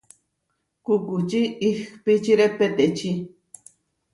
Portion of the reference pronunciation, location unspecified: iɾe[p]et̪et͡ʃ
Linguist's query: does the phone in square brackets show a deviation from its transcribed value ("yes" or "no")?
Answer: no